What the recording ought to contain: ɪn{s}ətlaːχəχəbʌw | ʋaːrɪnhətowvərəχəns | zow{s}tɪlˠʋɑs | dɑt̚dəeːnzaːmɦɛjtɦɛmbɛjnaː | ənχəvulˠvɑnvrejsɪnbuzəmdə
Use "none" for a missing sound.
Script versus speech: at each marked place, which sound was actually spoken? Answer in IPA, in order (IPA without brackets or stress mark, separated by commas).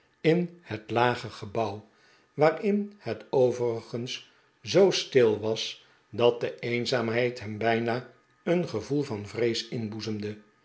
h, s